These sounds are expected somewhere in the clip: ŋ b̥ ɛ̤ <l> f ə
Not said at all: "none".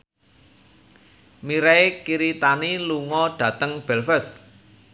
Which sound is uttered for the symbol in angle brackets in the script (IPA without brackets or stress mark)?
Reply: l